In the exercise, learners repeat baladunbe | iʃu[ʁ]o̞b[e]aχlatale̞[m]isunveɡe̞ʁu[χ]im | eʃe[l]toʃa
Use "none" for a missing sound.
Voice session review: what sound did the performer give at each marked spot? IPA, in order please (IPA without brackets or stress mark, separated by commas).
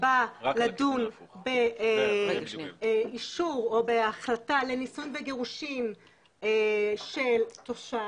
ʁ, e, n, ʃ, l